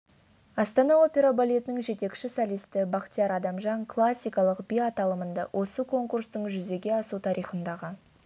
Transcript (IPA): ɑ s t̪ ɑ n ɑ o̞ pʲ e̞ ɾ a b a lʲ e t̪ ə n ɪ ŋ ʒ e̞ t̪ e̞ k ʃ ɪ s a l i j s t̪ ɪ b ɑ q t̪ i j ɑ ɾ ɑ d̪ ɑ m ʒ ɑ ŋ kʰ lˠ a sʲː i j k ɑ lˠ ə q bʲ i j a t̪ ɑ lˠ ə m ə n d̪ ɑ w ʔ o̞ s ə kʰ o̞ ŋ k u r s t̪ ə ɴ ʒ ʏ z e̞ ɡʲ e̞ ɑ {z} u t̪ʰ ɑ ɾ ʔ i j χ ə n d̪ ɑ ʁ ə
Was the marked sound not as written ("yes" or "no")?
yes